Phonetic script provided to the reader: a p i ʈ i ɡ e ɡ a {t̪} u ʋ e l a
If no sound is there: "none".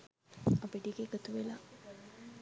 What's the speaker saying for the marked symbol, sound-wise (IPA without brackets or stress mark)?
t̪